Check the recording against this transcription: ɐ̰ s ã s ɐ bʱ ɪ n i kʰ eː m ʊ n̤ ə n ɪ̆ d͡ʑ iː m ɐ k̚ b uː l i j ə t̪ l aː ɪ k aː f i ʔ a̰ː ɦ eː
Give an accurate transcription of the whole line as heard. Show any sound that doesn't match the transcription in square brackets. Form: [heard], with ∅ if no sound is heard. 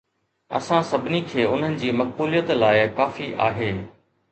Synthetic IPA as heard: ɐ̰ s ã s ɐ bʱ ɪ n i kʰ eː [∅] ʊ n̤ ə n ɪ̆ d͡ʑ iː m ɐ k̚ b uː l i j ə t̪ l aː ɪ k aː f i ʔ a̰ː ɦ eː